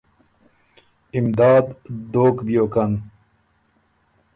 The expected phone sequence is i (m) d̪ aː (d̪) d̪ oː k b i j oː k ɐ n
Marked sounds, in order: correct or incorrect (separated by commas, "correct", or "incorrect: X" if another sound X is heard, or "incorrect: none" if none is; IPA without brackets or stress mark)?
correct, correct